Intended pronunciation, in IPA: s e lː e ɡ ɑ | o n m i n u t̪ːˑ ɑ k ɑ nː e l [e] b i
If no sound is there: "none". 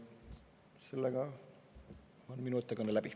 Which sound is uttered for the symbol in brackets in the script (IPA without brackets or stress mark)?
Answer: æ